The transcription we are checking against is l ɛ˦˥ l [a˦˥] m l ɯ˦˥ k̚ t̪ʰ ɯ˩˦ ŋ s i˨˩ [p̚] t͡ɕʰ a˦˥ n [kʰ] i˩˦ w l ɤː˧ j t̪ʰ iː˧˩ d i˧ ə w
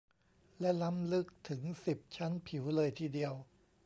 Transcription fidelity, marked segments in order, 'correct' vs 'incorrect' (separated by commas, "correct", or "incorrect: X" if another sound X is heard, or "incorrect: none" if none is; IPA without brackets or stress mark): correct, correct, incorrect: pʰ